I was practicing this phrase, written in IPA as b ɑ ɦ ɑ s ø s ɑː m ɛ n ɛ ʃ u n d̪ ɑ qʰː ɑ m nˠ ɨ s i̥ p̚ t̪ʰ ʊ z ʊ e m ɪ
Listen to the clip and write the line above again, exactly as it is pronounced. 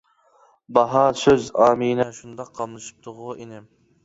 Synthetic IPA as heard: b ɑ ɦ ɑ s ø z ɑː m i n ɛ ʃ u n d̪ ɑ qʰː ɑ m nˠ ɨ ʃ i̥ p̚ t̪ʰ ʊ ʁ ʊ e n ɪ